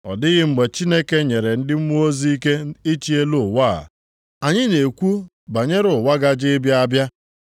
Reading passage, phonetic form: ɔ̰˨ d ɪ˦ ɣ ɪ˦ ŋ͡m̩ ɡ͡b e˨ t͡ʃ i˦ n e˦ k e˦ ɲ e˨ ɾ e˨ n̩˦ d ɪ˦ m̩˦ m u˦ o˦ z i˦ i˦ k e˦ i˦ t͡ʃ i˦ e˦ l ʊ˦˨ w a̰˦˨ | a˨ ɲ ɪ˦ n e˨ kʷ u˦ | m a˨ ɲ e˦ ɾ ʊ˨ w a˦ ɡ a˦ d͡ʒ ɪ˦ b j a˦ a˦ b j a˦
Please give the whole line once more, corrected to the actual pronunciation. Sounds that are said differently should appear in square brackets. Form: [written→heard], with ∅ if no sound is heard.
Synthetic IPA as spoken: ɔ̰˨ d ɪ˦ ɣ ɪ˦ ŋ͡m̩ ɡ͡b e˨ t͡ʃ i˦ n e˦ k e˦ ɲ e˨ ɾ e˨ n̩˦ d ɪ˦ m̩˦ m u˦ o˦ z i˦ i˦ k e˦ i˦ t͡ʃ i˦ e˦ l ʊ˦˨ w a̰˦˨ | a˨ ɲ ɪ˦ n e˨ kʷ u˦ | [m→b] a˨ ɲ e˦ ɾ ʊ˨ w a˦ ɡ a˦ d͡ʒ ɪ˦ b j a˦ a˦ b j a˦

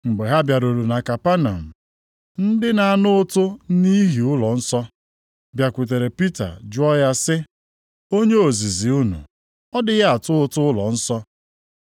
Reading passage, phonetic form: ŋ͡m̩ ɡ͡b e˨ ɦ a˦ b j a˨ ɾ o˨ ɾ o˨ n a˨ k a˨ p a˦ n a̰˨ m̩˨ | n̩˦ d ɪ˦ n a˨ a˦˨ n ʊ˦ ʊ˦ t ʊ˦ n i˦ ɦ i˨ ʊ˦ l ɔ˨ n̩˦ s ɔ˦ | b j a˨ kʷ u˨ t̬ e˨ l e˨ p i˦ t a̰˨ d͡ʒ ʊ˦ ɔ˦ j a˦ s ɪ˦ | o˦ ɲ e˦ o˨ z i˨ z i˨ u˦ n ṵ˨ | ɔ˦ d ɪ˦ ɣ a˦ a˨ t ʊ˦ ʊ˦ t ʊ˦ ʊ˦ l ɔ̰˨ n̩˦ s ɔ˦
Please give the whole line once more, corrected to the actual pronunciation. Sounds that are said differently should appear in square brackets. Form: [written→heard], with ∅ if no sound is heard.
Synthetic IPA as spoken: ŋ͡m̩ ɡ͡b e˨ ɦ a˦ b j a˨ ɾ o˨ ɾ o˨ n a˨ k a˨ p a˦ n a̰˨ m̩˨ | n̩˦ d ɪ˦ n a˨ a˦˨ n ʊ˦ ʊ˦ t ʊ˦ n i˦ ɦ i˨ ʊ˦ l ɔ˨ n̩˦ s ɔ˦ | b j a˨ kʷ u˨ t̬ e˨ [l→ɾ] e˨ p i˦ t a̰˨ d͡ʒ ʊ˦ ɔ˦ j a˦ s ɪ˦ | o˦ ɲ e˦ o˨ z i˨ z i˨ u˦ n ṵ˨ | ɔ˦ d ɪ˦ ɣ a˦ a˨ t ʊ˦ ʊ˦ t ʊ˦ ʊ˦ l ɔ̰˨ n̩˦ s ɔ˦

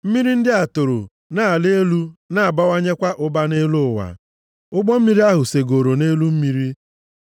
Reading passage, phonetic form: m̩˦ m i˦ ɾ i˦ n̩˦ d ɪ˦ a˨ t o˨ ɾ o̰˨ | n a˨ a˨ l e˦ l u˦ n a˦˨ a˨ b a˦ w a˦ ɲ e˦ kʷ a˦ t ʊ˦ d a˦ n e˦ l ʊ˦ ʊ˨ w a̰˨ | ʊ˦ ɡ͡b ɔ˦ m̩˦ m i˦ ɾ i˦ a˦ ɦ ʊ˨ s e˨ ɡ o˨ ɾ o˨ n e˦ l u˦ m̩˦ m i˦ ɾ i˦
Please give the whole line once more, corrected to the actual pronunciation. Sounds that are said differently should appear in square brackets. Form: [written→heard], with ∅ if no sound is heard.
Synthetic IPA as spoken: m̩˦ m i˦ ɾ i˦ n̩˦ d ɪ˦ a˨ t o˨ ɾ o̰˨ | n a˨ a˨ l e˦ l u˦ n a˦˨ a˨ b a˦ w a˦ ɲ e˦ kʷ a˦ [t→ʔ] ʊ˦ [d→b] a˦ n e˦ l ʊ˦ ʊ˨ w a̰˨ | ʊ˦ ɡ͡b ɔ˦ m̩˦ m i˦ ɾ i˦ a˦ ɦ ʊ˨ s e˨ ɡ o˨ ɾ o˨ n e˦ l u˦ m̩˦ m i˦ ɾ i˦

